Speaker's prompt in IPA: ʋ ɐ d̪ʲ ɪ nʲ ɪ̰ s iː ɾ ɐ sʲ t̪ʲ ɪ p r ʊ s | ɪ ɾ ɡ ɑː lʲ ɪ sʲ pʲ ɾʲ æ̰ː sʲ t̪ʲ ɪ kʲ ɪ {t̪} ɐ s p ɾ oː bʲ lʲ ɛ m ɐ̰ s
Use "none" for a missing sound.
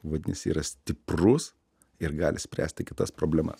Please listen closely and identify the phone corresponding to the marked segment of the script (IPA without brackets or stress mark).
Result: t̪